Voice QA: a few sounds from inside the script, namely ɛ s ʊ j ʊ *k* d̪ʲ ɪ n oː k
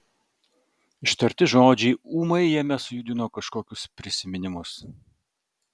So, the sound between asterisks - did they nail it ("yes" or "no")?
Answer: no